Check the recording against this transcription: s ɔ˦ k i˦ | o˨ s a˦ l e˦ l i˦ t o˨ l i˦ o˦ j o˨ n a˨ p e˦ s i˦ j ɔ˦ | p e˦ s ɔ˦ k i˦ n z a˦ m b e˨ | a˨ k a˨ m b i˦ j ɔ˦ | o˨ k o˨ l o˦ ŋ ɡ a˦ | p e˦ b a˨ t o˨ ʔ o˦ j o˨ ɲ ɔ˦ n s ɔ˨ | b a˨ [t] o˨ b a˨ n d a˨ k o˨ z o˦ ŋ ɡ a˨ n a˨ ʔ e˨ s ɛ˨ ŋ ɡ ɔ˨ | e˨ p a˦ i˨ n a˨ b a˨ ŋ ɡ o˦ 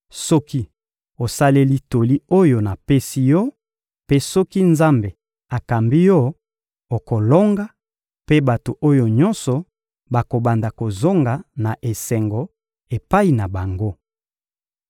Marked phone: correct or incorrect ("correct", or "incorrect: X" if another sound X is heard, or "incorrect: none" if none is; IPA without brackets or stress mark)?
incorrect: k